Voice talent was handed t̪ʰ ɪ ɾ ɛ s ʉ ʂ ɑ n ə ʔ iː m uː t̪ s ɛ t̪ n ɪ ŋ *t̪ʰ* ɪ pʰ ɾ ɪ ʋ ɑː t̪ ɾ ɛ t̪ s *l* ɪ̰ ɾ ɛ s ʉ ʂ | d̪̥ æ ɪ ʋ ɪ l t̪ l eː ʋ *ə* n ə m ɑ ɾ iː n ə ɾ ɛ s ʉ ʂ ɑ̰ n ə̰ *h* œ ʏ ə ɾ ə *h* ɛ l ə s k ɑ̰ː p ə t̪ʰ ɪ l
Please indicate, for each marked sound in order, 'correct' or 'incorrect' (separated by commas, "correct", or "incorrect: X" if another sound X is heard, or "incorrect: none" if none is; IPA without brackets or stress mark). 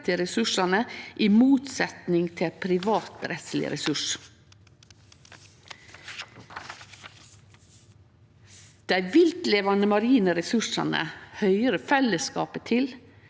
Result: correct, correct, incorrect: ɑ, correct, incorrect: f